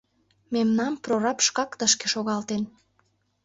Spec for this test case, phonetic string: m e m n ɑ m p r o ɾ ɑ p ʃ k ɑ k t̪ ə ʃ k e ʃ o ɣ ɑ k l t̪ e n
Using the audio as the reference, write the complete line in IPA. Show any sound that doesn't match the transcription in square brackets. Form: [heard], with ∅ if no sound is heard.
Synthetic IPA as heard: m e m n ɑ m p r o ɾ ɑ p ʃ k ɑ k t̪ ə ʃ k e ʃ o ɣ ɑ [∅] l t̪ e n